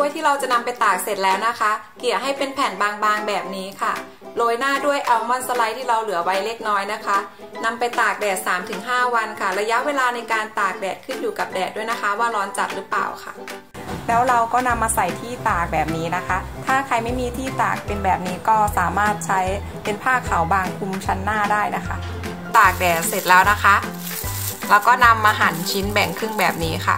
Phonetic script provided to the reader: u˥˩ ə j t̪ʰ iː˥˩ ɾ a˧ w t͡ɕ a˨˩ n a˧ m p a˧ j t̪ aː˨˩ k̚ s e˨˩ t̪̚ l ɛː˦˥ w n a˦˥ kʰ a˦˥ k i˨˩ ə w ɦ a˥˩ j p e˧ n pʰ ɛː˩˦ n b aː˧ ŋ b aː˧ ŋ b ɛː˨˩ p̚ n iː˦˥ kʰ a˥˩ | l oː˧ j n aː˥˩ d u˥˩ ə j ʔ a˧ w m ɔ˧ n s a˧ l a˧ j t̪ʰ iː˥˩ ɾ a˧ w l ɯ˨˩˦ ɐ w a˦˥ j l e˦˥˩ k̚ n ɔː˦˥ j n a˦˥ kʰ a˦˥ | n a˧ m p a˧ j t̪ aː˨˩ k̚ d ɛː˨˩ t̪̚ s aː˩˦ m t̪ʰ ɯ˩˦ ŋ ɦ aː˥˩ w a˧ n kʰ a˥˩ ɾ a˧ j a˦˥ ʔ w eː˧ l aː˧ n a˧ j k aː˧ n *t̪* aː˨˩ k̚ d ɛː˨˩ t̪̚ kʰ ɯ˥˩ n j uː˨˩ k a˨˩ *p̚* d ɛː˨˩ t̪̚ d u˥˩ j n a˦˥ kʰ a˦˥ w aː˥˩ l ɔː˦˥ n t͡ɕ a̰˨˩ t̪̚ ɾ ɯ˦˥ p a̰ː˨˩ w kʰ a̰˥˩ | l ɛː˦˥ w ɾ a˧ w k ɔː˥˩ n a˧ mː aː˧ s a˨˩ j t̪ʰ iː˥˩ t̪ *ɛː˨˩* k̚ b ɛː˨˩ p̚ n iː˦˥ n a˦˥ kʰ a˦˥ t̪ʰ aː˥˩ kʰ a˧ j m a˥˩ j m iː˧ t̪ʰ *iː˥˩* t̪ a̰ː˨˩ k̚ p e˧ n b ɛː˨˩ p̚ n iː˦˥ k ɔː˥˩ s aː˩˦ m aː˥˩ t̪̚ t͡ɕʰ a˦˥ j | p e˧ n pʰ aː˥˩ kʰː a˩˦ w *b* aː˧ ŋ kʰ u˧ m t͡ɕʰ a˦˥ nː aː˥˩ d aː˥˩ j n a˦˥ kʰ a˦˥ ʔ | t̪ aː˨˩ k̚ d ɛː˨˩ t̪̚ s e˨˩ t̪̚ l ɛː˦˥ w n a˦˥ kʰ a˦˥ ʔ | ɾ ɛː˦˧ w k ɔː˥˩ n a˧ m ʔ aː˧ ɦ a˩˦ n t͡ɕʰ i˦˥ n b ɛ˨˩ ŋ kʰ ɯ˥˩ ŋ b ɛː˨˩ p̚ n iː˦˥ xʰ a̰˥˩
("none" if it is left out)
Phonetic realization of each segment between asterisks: t̪, p̚, aː˨˩, iː˥˩, b

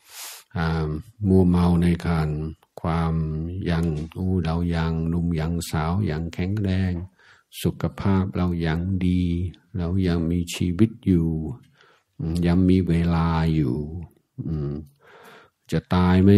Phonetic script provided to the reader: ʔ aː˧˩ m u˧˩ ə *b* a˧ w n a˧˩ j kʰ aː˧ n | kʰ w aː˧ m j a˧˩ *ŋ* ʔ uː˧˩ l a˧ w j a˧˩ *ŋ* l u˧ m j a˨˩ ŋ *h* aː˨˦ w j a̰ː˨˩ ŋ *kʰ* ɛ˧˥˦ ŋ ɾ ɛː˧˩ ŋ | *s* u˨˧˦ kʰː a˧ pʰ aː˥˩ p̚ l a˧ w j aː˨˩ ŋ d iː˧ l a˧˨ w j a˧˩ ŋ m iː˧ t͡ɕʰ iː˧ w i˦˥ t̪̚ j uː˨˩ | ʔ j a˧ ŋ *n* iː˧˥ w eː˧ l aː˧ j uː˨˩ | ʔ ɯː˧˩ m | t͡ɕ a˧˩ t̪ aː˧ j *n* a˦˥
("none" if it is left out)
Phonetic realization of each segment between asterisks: m, ŋ, ŋ, s, kʰ, s, m, m

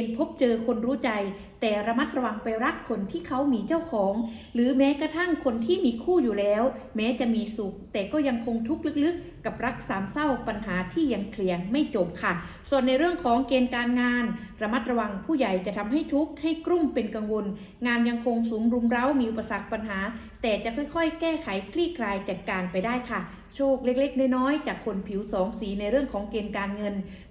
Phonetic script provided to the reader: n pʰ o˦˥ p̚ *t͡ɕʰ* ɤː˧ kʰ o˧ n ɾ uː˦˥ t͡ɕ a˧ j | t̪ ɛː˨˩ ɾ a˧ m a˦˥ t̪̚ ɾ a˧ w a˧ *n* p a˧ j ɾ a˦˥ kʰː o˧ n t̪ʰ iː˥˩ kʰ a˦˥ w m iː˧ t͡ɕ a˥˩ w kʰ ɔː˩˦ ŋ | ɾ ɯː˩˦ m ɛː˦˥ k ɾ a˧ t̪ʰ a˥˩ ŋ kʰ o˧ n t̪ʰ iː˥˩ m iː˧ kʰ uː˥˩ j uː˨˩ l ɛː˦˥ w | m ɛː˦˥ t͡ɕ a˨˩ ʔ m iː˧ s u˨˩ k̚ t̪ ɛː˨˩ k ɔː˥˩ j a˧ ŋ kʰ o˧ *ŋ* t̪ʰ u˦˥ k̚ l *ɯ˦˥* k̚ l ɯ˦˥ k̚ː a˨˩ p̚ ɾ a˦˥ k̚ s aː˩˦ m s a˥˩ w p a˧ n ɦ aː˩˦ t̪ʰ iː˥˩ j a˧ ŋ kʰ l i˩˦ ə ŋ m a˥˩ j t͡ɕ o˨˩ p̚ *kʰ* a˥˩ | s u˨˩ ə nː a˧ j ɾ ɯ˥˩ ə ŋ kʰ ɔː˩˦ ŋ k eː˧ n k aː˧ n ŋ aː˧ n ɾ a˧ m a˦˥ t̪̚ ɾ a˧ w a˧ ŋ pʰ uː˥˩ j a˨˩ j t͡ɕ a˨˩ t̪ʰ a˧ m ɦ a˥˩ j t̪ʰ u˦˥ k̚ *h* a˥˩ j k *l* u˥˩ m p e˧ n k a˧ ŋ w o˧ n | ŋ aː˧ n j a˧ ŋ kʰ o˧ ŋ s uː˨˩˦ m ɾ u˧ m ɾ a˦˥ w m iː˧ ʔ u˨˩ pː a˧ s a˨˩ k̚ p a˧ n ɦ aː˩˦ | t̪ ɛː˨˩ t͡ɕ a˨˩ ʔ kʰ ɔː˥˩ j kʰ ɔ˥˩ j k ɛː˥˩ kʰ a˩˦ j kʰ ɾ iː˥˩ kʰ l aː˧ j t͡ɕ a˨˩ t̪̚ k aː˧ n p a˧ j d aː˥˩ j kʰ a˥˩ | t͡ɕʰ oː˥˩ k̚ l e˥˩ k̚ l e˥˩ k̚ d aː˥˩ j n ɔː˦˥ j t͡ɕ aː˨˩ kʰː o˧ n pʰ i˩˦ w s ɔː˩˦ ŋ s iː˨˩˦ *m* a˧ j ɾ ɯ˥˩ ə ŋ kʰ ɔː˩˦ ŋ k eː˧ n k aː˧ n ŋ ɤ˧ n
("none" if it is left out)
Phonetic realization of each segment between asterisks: t͡ɕ, ŋ, ŋ, ɯ˦˥, kʰ, h, ɾ, n

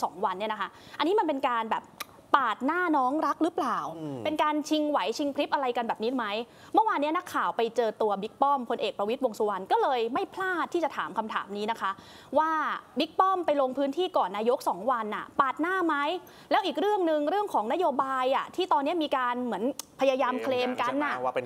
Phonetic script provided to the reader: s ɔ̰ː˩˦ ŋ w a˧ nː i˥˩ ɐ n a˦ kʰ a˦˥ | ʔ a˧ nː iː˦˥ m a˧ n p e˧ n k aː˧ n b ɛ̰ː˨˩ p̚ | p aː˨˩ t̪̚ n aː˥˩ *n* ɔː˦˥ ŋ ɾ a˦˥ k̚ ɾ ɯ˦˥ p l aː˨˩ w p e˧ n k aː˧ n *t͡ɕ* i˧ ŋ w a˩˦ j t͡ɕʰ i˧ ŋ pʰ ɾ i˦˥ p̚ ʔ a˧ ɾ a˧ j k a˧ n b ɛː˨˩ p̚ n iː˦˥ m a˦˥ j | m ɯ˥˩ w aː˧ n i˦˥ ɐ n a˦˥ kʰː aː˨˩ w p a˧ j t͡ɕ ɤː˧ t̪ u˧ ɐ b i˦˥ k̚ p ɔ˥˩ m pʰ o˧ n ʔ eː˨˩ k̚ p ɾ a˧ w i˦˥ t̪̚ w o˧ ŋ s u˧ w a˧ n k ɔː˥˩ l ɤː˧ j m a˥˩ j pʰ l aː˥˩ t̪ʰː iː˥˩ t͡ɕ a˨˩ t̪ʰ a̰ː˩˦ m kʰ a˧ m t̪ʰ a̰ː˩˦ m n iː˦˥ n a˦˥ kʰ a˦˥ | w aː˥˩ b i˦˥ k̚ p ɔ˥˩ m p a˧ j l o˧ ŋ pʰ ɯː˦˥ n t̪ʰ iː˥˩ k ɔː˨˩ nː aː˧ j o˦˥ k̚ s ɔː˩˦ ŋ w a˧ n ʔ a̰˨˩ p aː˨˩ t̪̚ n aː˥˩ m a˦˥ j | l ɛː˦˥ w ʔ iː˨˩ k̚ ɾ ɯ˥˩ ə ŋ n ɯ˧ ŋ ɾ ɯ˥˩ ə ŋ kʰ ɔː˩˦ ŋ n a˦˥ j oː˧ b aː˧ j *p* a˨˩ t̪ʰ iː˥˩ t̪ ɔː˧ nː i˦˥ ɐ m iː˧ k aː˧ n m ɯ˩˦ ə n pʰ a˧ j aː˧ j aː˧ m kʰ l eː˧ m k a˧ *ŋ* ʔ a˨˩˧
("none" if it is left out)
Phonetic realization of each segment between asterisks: n, t͡ɕʰ, ʔ, n

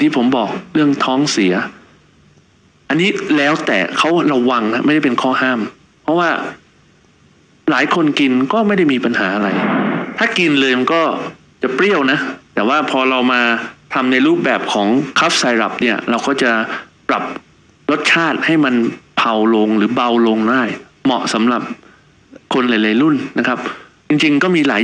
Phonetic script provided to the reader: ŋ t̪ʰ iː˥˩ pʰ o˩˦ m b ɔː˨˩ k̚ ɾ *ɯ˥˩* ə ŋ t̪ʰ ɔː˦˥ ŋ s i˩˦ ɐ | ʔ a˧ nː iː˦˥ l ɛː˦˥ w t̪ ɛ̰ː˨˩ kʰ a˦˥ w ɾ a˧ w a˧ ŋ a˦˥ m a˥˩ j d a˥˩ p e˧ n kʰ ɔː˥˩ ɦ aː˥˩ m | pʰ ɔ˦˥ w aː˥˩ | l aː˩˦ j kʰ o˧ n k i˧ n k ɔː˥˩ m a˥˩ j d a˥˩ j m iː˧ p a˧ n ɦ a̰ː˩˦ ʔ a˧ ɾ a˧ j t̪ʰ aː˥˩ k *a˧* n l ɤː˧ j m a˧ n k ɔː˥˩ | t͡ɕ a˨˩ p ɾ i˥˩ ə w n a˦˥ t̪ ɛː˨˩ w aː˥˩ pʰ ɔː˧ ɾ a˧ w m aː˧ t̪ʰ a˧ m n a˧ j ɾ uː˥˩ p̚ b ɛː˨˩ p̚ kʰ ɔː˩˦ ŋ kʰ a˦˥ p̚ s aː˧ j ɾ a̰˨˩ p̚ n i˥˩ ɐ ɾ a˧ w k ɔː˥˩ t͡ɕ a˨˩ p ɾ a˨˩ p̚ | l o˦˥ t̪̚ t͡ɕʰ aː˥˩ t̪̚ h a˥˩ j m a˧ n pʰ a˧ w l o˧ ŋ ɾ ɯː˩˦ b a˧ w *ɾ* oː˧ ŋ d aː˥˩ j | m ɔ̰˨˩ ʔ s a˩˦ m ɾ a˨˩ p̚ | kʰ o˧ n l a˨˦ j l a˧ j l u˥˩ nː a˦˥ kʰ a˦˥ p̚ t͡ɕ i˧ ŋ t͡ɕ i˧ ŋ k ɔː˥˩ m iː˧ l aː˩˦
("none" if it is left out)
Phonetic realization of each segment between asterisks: ɯ˥˩, i˧, l

